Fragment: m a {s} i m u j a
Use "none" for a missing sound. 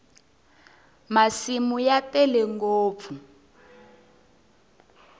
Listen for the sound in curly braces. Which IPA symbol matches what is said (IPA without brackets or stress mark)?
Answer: s